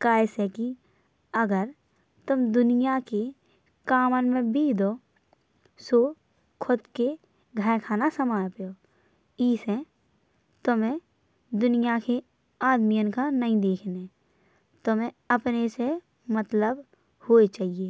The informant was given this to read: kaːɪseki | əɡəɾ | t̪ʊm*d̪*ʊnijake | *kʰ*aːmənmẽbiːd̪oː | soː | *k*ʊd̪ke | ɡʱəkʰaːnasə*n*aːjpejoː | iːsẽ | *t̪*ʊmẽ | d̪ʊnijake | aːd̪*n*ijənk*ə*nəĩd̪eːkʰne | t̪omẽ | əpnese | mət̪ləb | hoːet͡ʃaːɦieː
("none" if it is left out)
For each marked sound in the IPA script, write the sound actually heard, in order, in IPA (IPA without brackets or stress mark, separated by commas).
d̪, k, kʰ, m, t̪, m, a